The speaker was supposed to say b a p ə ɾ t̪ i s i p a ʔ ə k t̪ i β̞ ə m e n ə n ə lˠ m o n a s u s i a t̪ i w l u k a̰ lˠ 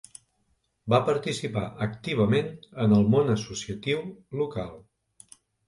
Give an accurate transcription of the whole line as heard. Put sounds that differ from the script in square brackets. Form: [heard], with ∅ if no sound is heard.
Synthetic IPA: b a p ə ɾ t̪ i s i p a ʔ ə k t̪ i β̞ ə m e n ə n ə lˠ m o n [ə] s u s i [ə] t̪ i w l u k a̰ lˠ